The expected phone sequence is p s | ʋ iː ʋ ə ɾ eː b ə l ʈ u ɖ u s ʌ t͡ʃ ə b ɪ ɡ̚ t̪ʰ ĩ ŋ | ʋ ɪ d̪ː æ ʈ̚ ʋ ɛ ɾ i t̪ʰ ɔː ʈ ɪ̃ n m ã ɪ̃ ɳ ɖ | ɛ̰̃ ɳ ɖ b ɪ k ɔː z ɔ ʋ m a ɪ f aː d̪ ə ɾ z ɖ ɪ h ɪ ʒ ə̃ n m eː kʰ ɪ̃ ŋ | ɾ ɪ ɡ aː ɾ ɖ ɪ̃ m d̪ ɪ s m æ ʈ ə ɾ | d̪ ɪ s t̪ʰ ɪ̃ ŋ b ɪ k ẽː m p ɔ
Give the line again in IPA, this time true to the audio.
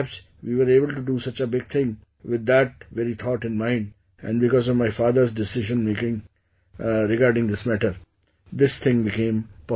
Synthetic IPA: p s | ʋ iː ʋ ə ɾ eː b ə l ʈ u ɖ u s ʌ t͡ʃ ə b ɪ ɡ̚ t̪ʰ ɪ̃ ŋ | ʋ ɪ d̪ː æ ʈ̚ ʋ ɛ ɾ i t̪ʰ ɔː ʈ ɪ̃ n m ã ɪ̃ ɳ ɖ | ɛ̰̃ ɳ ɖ b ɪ k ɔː z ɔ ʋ m a ɪ f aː d̪ ə ɾ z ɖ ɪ s ɪ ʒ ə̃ n m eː k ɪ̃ ŋ | ɾ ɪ ɡ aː ɾ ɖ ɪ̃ ŋ d̪ ɪ s m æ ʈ ə ɾ | d̪ ɪ s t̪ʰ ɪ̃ ŋ b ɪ k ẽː m p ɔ